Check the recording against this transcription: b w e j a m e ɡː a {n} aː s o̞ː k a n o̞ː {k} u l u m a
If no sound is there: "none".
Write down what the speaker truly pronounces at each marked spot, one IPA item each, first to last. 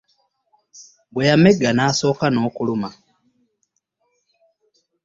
n, k

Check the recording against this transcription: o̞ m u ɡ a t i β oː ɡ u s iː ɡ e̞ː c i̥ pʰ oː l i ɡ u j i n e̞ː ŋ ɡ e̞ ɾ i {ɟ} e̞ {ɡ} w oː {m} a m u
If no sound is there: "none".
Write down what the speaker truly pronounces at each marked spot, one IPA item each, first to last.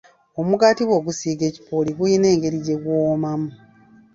ɟ, ɡ, m

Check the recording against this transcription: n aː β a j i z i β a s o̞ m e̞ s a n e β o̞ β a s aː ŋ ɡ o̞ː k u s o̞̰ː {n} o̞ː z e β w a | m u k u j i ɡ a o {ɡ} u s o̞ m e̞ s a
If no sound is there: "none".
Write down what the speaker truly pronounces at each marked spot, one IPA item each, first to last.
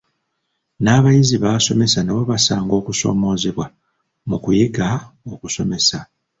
m, k

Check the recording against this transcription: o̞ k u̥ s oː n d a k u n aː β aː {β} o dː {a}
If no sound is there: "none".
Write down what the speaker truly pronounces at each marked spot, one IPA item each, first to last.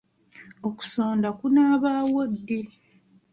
w, e

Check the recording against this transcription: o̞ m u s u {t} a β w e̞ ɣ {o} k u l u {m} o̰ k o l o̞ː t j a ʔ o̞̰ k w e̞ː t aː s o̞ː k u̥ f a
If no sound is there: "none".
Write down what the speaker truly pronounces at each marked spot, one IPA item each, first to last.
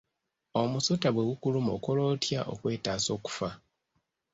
t, u, m

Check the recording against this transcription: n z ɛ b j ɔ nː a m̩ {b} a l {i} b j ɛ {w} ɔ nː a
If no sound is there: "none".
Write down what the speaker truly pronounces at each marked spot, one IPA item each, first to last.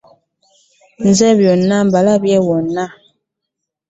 b, a, w

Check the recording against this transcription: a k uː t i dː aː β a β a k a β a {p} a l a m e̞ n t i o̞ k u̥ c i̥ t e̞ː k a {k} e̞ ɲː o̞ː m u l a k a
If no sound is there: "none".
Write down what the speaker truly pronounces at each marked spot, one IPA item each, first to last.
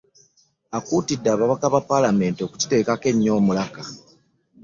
p, k

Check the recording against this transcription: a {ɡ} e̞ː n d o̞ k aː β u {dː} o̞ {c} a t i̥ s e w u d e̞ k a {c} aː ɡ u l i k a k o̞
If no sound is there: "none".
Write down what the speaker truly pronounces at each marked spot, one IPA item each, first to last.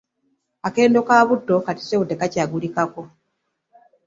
k, dː, k, c

